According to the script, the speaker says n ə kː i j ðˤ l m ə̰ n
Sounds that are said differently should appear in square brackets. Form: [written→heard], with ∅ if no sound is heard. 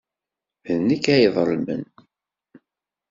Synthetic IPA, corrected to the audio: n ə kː [i→æ] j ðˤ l m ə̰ n